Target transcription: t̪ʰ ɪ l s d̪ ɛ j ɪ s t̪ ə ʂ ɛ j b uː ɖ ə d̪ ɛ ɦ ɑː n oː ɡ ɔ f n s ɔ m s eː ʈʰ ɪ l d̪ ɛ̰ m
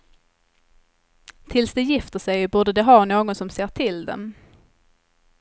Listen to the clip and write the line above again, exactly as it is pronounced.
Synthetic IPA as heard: t̪ʰ ɪ l s d̪ ɛ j ɪ f t̪ ə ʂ ɛ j b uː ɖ ə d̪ ɛ ɦ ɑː n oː ɡ ɔ n s ɔ m s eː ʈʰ ɪ l d̪ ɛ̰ m